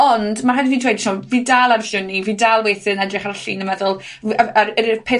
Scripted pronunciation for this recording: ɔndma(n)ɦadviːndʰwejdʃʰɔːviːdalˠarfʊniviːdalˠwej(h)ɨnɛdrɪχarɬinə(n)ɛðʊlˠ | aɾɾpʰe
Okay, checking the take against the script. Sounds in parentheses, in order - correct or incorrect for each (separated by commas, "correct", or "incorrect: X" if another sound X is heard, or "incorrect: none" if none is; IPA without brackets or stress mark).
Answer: incorrect: none, incorrect: θ, incorrect: m